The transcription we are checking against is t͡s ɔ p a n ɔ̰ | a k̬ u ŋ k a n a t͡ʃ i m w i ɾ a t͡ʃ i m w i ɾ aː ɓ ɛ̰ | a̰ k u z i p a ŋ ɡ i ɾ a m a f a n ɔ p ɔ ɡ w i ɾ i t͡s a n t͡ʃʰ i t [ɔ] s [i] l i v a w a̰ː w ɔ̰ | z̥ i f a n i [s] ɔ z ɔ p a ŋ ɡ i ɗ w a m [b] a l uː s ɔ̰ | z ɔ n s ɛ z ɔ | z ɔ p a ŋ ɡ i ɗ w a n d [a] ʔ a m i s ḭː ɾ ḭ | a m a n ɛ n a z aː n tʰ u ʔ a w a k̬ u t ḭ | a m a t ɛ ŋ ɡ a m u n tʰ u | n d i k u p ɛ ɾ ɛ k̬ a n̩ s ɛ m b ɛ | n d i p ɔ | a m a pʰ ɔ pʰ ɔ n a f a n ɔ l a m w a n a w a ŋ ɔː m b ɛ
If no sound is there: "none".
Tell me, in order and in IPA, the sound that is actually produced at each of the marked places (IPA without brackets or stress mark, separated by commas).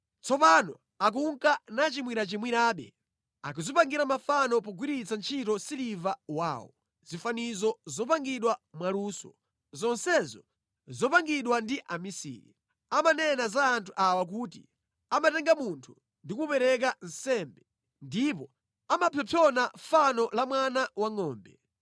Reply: ɔ, i, z, w, i